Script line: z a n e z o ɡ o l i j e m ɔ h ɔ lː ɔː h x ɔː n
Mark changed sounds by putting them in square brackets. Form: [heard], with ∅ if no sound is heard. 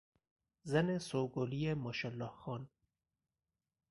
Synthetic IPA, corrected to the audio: z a n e [s] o ɡ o l i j e m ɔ [ʃ] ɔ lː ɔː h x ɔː n